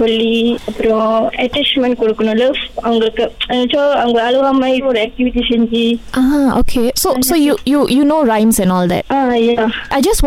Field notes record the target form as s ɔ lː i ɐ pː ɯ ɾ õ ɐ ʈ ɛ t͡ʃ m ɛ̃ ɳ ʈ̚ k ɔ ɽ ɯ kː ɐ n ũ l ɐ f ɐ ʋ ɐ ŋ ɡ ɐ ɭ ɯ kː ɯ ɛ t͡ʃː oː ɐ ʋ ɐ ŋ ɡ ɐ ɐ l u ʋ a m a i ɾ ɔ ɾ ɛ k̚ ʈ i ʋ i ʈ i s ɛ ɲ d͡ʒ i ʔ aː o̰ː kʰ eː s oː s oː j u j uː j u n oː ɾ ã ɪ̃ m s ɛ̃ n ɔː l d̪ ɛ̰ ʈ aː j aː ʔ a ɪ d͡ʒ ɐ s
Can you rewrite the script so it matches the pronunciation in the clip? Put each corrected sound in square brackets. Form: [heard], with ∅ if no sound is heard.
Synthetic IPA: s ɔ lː i ɐ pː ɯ ɾ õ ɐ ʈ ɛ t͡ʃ m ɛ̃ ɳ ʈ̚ k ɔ ɽ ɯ kː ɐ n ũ l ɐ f ɐ ʋ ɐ ŋ ɡ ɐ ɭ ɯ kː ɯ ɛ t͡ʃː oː ɐ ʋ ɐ ŋ ɡ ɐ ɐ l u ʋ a m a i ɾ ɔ ɾ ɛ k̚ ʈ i ʋ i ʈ i s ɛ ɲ d͡ʒ i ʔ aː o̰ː kʰ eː s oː s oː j u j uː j u n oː ɾ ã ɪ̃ m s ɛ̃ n ɔː l d̪ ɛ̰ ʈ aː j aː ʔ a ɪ d͡ʒ ɐ s